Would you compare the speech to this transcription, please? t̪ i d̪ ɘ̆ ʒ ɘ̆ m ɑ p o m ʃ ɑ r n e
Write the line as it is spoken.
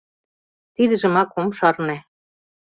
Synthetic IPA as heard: t̪ i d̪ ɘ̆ ʒ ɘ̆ m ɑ k o m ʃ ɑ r n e